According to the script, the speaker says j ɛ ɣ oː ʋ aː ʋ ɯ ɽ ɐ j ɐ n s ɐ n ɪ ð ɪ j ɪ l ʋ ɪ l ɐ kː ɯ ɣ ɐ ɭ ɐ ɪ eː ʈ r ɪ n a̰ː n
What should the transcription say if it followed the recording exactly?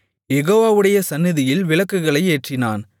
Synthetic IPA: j ɛ ɣ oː ʋ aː ʋ ɯ ɽ ɐ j ɐ s ɐ nː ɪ ð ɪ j ɪ l ʋ ɪ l ɐ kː ɯ ɣ ɐ ɭ ɐ ɪ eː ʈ r ɪ n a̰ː n